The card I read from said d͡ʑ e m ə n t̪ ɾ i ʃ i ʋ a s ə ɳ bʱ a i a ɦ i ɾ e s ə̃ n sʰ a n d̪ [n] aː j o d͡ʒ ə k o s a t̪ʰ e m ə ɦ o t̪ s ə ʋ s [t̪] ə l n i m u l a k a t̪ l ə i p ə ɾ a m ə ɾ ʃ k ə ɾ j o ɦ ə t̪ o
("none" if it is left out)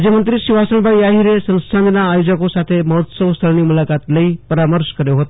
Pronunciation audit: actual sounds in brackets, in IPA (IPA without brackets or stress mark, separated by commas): n, t̪ʰ